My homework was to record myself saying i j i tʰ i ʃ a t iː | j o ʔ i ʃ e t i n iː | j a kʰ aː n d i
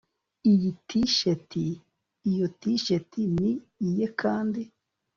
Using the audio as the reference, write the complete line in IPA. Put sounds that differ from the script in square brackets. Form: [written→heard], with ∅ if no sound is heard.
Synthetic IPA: i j i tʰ i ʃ [a→e] t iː | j o [ʔ→t] i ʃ e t i n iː | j [a→e] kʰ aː n d i

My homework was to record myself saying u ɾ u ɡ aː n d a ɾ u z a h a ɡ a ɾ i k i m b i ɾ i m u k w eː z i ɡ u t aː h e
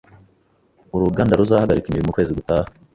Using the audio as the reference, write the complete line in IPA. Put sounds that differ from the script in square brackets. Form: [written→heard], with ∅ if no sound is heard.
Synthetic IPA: u ɾ u ɡ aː n d a ɾ u z a h a ɡ a ɾ i k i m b i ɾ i m u k w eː z i ɡ u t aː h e

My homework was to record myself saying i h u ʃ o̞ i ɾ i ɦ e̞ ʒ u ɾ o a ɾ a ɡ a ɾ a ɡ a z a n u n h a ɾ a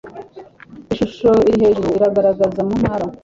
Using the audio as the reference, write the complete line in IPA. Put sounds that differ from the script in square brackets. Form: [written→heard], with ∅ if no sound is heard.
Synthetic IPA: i [h→ʃ] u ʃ o̞ i ɾ i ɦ e̞ ʒ u ɾ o [a→i] ɾ a ɡ a ɾ a ɡ a z a [n→m] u n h a ɾ a

